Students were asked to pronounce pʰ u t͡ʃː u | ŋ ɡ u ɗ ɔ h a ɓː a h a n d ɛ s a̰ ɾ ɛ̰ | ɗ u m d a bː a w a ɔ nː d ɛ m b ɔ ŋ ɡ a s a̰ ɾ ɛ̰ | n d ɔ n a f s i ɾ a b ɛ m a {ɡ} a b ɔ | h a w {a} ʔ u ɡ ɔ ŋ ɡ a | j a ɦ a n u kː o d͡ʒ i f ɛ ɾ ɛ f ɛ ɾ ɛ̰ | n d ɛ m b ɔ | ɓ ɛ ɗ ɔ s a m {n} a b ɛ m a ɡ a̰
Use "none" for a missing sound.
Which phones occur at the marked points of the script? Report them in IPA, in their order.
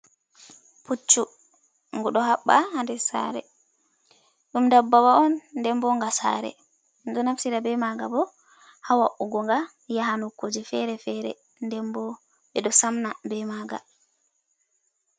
ɡ, a, n

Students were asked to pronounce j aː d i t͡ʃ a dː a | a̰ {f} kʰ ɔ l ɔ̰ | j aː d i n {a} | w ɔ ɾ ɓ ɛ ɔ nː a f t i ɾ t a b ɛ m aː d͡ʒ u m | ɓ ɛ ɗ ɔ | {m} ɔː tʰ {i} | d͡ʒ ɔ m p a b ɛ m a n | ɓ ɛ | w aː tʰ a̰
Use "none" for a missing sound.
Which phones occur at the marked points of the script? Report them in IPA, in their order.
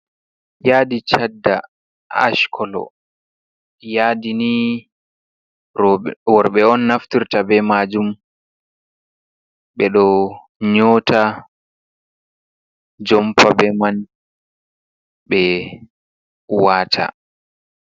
ʃ, i, ɲ, a

